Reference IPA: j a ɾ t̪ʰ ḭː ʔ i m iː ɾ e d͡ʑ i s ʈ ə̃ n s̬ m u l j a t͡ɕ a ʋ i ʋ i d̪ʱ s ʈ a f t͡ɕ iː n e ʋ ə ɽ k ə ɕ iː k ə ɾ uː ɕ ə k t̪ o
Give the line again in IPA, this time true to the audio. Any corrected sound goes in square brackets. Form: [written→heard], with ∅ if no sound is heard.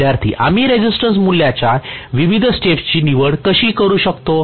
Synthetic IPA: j a ɾ t̪ʰ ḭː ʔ [i→a] m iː ɾ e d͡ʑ i s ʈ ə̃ n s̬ m u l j a t͡ɕ a ʋ i ʋ i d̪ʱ s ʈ [a→e] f t͡ɕ iː n [e→i] ʋ ə ɽ k ə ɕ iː k ə ɾ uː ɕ ə k t̪ o